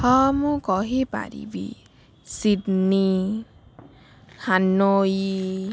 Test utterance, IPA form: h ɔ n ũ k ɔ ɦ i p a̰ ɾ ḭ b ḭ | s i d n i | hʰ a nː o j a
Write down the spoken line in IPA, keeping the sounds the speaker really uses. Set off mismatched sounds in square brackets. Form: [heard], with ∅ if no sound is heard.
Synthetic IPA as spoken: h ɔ [m] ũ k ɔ ɦ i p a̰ ɾ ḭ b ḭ | s i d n i | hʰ a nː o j [i]